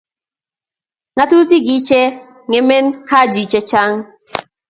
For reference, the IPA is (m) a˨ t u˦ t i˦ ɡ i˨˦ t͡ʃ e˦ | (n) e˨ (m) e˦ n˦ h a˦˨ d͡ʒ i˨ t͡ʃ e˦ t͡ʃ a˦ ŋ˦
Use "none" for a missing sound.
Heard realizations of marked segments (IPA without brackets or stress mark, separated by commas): ŋ, ŋ, m